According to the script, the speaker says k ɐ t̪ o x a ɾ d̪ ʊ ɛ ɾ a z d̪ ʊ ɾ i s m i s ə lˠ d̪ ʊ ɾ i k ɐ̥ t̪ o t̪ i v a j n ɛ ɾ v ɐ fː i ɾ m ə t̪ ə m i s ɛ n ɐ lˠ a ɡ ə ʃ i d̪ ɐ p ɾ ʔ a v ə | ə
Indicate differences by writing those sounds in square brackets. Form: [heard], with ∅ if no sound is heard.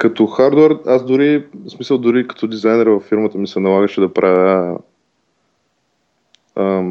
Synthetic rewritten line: k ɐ t̪ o x a ɾ d̪ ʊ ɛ ɾ a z d̪ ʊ ɾ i s m i s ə lˠ d̪ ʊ ɾ i k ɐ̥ t̪ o [d̪] i [z] a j n ɛ ɾ v ɐ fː i ɾ m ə t̪ ə m i s ɛ n ɐ lˠ a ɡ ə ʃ [ɛ] d̪ ɐ p ɾ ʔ a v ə | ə